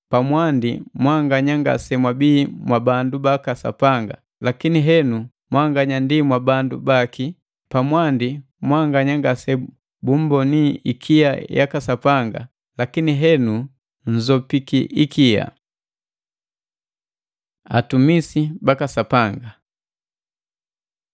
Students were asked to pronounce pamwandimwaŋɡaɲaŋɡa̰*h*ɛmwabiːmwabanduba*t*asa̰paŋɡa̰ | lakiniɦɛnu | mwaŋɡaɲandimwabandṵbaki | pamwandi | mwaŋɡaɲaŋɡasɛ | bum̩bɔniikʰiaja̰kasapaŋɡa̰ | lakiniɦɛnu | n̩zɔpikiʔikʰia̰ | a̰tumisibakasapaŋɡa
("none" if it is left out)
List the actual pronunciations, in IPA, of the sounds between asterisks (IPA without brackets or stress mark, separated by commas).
s, k